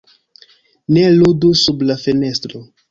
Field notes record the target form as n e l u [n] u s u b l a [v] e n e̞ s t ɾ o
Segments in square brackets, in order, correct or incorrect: incorrect: d, incorrect: f

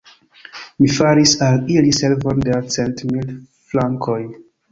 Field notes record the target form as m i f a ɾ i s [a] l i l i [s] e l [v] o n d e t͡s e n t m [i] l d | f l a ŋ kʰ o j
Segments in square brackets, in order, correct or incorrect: correct, correct, correct, correct

